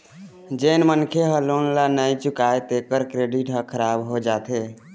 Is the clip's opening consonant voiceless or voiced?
voiced